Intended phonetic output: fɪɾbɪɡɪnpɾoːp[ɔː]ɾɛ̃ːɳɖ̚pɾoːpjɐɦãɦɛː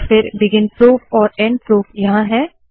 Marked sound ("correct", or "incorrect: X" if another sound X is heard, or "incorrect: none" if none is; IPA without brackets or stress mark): correct